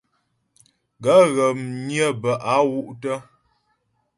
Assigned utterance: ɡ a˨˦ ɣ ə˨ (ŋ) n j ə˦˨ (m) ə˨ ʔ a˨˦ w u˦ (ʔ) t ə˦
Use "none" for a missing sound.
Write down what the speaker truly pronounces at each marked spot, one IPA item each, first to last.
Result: m, b, ʔ

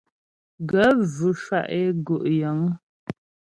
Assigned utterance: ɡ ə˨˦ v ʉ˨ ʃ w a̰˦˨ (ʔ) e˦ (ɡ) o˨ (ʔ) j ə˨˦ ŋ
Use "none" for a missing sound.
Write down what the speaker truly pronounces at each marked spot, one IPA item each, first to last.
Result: ʔ, ɡ, ʔ

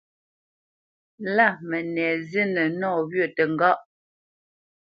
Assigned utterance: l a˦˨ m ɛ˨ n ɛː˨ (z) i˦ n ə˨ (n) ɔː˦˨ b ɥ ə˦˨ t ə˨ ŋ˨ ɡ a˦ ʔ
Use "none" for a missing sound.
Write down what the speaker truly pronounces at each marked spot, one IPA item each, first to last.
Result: z, n

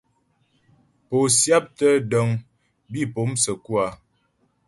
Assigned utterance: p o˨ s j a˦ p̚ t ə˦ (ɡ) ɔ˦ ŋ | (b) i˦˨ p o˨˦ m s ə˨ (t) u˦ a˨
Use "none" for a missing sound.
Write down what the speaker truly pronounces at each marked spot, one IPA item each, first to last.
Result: d, b, k

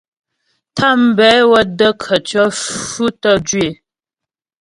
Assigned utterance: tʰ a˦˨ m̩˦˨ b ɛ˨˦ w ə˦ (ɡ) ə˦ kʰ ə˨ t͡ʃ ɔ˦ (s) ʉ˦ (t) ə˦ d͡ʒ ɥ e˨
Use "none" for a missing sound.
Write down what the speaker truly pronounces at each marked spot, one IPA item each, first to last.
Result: d, f, t

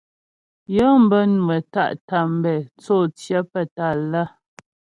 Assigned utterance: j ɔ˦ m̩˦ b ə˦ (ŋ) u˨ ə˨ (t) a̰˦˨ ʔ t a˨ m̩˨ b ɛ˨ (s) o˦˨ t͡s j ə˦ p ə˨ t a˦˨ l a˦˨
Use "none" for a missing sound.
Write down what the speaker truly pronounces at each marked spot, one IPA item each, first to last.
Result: n, t, t͡s

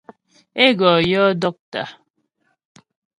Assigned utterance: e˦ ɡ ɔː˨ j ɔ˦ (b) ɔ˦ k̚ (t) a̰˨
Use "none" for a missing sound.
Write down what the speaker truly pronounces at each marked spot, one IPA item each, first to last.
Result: d, t

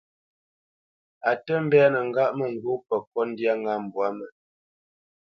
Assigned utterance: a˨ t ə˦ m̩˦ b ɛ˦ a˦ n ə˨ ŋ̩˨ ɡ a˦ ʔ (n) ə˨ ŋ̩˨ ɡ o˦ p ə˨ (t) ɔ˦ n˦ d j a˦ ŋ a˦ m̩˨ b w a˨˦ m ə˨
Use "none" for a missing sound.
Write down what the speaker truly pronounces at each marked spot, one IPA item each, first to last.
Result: m, k

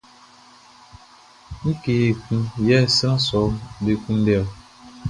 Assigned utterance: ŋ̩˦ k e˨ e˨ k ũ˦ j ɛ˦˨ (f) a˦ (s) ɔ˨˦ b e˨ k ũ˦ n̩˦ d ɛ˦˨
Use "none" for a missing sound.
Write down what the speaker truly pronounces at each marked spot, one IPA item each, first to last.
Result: s, s

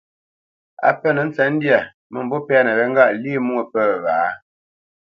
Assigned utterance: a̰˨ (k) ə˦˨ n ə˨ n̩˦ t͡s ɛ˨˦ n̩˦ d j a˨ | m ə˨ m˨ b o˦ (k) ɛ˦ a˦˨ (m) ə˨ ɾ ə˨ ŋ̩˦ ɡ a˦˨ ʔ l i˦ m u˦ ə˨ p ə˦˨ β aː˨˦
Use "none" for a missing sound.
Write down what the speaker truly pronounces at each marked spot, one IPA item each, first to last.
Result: p, p, n

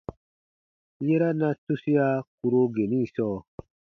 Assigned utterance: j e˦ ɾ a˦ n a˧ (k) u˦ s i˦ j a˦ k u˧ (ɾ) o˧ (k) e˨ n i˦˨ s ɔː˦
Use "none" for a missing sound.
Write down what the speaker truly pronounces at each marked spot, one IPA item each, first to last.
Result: t, ɾ, ɡ

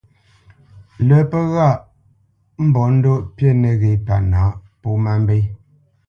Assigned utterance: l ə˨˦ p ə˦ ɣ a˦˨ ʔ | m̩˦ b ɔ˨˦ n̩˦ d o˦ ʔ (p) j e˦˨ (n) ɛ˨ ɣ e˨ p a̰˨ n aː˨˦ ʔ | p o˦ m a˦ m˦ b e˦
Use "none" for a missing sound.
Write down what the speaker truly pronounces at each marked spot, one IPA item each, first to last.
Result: p, n

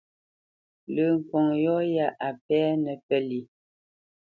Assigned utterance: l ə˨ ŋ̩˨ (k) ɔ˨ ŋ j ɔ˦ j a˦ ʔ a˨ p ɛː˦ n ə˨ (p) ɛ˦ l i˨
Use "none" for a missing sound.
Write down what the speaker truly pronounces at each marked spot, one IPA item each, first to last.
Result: k, p

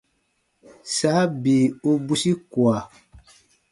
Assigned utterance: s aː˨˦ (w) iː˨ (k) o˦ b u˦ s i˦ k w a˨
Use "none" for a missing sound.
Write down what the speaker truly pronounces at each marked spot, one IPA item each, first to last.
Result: b, none

